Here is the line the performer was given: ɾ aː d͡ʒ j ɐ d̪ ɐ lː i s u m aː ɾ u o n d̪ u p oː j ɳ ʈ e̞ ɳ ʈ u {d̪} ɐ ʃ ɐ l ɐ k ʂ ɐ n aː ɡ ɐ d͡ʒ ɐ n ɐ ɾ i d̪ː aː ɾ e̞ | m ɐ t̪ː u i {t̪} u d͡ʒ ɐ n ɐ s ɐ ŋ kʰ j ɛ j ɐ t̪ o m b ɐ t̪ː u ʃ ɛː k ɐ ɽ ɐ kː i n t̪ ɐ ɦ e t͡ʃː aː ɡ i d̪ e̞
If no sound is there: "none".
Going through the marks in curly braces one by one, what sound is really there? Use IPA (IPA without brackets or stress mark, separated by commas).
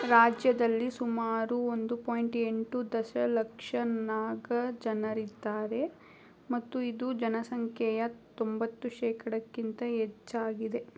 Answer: d̪, d̪